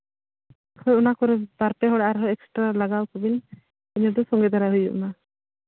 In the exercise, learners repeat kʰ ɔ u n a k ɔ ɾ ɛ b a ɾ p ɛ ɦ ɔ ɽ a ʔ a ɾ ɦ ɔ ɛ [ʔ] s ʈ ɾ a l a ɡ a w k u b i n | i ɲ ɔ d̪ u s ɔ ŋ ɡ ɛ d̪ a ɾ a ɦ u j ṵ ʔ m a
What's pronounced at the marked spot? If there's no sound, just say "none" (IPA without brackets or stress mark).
k